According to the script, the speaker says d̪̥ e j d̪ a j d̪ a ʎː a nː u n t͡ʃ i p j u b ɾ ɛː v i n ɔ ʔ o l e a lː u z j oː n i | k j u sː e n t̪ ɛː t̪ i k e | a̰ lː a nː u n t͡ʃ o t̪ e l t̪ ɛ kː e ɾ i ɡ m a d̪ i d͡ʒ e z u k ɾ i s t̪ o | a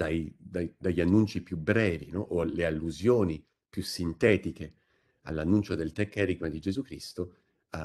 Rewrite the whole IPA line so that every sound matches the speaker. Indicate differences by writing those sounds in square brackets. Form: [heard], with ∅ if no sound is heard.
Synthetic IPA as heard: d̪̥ [a] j d̪ a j d̪ a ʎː a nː u n t͡ʃ i p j u b ɾ ɛː v i n ɔ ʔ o l e a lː u z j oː n i | [p] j u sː [i] n t̪ ɛː t̪ i k e | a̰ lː a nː u n t͡ʃ o [d̪] e l t̪ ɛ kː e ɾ i ɡ m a d̪ i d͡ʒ e z u k ɾ i s t̪ o | a